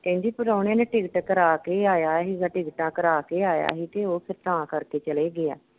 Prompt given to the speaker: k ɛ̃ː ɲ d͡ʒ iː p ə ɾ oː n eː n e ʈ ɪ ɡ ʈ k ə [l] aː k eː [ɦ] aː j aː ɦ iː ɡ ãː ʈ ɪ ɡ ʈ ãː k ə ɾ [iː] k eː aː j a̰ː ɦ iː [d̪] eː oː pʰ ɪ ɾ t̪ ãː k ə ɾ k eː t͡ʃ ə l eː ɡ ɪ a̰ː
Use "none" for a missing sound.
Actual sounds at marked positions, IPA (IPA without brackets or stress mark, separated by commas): ɾ, none, aː, t̪